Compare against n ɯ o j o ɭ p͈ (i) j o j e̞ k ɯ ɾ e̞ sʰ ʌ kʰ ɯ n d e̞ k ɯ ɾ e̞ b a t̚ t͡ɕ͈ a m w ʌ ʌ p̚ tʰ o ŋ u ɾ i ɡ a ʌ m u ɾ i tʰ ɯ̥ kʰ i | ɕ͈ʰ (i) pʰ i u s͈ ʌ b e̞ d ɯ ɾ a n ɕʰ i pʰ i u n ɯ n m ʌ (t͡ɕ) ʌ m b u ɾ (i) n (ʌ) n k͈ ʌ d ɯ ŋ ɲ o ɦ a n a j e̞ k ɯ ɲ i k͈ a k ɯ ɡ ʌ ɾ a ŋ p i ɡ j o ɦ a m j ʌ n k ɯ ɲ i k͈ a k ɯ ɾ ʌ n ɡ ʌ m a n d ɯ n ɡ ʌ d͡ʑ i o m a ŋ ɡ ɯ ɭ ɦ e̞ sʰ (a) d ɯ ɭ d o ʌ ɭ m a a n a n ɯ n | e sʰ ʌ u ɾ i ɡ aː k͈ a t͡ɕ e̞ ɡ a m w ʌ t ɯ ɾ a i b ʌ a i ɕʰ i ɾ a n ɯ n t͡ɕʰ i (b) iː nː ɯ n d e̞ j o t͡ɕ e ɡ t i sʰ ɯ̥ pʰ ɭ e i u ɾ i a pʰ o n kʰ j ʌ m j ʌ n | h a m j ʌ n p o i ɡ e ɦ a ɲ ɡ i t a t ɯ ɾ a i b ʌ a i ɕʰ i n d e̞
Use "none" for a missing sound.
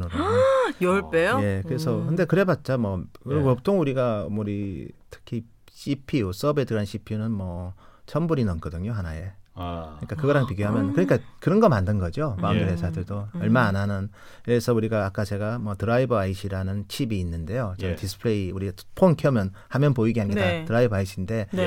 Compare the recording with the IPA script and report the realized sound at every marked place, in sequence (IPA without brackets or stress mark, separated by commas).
e, i, t͡ɕʰ, i, ʌ, a, b